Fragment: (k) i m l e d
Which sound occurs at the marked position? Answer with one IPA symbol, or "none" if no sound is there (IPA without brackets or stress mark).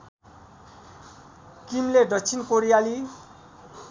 k